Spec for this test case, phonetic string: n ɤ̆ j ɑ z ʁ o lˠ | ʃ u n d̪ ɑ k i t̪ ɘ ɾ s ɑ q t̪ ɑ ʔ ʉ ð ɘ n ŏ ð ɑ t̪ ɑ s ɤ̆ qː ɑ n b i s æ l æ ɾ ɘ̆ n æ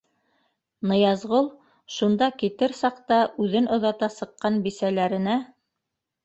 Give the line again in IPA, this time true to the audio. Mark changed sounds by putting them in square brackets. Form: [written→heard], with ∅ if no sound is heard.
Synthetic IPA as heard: n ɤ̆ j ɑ z ʁ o lˠ | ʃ u n d̪ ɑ k i t̪ ɘ ɾ s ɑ q t̪ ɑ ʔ ʉ ð ɘ n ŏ ð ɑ t̪ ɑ s ɤ̆ qː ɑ n b i s æ l æ ɾ ɘ̆ n æ